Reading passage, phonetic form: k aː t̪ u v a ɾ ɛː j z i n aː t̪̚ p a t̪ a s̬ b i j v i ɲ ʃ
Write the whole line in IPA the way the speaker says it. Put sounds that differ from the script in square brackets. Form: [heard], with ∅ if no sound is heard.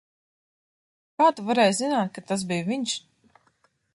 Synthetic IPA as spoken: k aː t̪ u v a ɾ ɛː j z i n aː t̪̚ [k] a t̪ a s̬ b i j v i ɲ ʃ